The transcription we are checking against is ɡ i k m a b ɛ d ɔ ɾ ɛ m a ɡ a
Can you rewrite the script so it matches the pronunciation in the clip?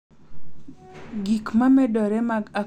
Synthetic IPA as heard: ɡ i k m a m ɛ d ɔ ɾ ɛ m a ɡ a